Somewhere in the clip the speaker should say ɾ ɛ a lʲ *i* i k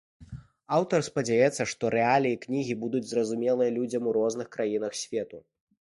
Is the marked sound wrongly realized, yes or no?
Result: no